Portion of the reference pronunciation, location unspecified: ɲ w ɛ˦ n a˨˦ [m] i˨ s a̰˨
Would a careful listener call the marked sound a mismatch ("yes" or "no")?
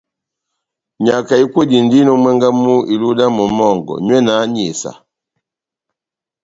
yes